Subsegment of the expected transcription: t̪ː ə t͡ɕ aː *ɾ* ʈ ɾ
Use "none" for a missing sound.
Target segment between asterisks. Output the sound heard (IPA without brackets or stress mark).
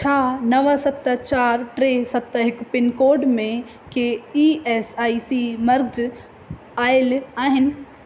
ɾ